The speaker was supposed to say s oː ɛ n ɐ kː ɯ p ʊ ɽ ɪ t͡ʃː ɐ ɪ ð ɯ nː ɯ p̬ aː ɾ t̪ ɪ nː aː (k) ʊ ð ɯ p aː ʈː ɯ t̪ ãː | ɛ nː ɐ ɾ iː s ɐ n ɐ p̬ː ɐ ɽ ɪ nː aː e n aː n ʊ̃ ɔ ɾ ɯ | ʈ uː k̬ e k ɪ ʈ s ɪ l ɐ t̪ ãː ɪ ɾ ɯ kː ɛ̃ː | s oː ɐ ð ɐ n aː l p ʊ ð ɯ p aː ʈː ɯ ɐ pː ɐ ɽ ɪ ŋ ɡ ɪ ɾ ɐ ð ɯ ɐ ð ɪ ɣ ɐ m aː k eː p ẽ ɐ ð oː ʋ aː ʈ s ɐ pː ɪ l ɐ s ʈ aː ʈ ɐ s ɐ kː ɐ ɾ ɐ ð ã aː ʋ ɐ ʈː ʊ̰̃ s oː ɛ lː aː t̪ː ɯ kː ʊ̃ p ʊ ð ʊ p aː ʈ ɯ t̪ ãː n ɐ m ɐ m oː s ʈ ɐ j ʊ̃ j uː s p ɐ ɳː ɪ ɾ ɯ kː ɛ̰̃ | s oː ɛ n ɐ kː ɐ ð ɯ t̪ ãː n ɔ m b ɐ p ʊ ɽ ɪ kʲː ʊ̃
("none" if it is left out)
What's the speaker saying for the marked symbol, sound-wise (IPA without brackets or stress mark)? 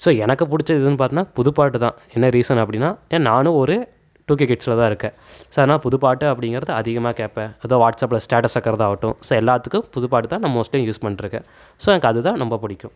p